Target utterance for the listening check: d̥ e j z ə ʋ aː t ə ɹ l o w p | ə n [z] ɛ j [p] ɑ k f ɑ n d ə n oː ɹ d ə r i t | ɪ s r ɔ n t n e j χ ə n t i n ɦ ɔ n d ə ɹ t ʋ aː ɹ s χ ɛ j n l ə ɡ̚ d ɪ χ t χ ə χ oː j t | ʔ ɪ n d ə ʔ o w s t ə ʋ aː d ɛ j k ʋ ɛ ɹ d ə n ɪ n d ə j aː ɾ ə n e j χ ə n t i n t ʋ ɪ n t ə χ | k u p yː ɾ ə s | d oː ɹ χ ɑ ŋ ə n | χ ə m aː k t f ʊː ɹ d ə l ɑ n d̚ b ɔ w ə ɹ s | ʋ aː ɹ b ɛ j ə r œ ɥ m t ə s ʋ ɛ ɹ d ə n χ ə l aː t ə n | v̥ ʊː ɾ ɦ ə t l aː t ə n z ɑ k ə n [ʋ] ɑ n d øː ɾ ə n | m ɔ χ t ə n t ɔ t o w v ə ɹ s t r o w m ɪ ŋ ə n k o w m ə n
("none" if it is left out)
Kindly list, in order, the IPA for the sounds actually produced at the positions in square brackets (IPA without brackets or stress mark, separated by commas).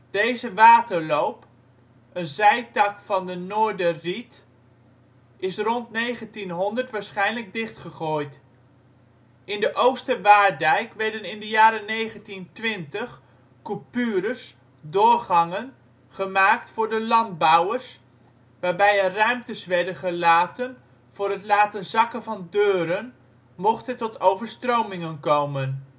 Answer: z, t, v